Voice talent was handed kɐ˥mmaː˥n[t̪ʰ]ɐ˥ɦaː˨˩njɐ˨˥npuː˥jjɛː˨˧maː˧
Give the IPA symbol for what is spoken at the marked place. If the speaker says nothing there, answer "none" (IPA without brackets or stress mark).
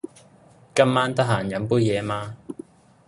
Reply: t̪